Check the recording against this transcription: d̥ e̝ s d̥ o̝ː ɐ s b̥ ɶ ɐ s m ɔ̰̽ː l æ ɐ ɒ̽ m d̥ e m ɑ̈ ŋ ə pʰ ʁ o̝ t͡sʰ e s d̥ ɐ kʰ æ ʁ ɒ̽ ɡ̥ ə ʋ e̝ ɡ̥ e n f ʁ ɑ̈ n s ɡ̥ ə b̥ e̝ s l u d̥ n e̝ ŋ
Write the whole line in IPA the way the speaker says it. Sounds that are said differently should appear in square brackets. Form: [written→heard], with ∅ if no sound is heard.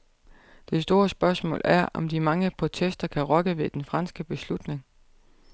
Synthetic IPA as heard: d̥ e̝ s d̥ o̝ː ɐ s b̥ ɶ ɐ s m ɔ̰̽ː l æ ɐ ɒ̽ m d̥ [e→i] m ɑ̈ ŋ ə pʰ ʁ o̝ t͡sʰ e s d̥ ɐ kʰ æ ʁ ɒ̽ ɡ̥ ə ʋ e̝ [ɡ̥→d̥] e n f ʁ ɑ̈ n s ɡ̥ ə b̥ e̝ s l u d̥ n e̝ ŋ